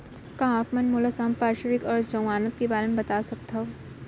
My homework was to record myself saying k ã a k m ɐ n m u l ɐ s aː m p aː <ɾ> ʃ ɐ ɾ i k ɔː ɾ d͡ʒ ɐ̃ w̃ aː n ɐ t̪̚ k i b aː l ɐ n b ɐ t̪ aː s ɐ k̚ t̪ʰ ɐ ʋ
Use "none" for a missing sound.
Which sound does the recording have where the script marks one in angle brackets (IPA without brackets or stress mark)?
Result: ɾ